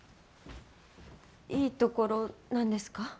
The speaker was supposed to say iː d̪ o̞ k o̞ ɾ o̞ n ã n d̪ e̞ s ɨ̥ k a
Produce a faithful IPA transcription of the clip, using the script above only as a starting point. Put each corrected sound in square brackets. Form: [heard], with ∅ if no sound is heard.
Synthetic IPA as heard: iː [t̪] o̞ k o̞ ɾ o̞ n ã n d̪ e̞ s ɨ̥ k a